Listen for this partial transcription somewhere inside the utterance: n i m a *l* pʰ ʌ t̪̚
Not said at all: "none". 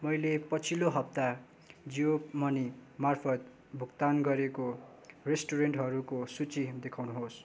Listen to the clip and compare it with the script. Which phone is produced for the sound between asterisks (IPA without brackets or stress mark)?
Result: r